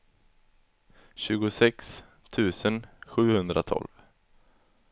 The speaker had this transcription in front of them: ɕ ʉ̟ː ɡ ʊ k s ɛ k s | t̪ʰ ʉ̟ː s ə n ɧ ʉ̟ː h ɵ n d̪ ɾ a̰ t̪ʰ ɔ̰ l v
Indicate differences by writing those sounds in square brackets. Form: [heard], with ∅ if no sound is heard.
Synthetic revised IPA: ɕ ʉ̟ː ɡ ʊ [∅] s ɛ k s | t̪ʰ ʉ̟ː s ə n ɧ ʉ̟ː h ɵ n d̪ ɾ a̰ t̪ʰ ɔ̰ l v